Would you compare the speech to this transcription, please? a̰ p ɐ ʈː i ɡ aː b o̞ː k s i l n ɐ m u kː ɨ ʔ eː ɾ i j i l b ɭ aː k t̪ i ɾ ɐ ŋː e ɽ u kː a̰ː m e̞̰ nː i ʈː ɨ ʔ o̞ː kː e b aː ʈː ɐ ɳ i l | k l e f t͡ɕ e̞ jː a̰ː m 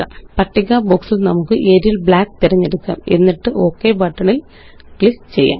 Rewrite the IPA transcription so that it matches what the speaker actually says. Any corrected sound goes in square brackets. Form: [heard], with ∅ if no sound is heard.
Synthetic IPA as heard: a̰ p ɐ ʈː i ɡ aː b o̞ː k s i l n ɐ m u kː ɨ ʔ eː ɾ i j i l b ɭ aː k t̪ i ɾ ɐ [ɲː] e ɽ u kː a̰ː m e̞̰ nː i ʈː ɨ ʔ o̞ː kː e b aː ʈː ɐ ɳ i l | k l [i] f t͡ɕ e̞ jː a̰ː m